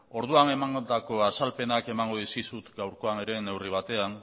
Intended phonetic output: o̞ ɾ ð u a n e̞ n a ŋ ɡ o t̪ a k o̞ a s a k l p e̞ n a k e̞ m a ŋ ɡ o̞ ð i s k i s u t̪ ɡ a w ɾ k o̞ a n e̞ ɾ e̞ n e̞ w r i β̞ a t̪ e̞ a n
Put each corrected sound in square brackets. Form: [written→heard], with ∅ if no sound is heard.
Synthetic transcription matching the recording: o̞ ɾ ð u a n e̞ [n→m] a ŋ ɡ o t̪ a k o̞ a s a [k→∅] l p e̞ n a k e̞ m a ŋ ɡ o̞ ð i s k i s u t̪ ɡ a w ɾ k o̞ a n e̞ ɾ e̞ n e̞ w r i β̞ a t̪ e̞ a n

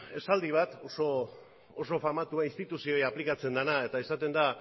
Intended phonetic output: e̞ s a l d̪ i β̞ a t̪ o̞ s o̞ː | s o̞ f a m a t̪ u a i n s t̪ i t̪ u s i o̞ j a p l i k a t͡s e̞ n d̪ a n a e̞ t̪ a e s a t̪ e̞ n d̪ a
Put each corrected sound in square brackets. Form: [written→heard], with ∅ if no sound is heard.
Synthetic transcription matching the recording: e̞ s a l d̪ i β̞ a t̪ o̞ s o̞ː | s o̞ f a m a t̪ u a i n s t̪ i t̪ u s i o̞ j a p l i k a t͡s e̞ n d̪ a n a e̞ t̪ a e s a t̪ e̞ n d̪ a

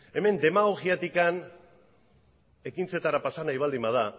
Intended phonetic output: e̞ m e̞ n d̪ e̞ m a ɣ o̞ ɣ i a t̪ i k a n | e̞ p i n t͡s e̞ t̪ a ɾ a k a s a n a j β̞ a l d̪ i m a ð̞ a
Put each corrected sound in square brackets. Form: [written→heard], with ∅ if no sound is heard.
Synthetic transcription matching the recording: e̞ m e̞ n d̪ e̞ m a ɣ o̞ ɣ i a t̪ i k a n | e̞ [p→k] i n t͡s e̞ t̪ a ɾ a [k→p] a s a n a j β̞ a l d̪ i m a ð̞ a

